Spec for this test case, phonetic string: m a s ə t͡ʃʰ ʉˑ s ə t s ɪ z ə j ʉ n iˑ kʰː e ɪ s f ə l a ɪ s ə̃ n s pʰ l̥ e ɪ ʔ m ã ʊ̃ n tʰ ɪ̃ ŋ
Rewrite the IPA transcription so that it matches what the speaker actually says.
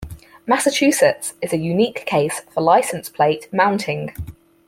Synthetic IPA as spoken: m a s ə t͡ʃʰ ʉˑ s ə t s ɪ z ə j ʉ n iˑ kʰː e ɪ s f ə l a ɪ s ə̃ n s pʰ l̥ e ɪ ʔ m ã ʊ̃ n tʰ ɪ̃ ŋ